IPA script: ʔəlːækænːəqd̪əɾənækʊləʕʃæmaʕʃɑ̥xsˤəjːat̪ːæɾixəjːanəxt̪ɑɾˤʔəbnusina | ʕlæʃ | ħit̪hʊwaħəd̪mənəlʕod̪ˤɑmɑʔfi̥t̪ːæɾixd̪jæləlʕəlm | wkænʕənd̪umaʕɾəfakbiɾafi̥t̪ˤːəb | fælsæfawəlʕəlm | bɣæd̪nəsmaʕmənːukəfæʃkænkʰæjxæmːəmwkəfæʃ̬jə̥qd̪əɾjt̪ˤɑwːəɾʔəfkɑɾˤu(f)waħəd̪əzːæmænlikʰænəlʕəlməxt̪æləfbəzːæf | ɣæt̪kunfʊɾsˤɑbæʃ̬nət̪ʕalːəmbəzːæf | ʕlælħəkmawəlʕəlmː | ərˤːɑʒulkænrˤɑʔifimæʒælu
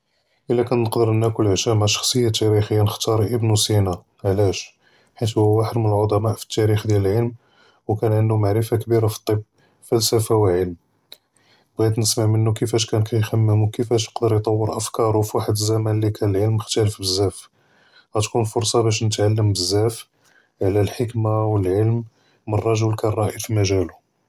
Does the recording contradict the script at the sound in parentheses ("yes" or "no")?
no